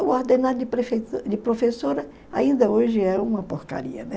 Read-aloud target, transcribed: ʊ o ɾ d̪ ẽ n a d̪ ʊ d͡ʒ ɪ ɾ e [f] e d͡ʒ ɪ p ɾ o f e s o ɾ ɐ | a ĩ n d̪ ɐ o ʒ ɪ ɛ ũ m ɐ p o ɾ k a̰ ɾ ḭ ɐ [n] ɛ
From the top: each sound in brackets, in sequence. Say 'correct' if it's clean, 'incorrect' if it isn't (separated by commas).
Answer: correct, correct